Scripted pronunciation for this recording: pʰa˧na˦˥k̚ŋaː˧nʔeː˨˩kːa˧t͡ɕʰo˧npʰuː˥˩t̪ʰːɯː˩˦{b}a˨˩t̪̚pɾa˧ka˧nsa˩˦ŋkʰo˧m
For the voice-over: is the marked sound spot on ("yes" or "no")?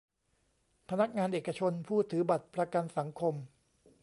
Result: yes